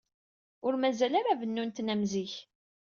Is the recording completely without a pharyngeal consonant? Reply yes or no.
yes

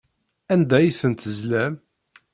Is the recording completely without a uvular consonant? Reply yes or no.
yes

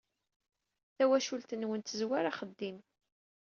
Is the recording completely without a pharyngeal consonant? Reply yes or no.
yes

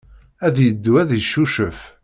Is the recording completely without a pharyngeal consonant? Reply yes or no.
yes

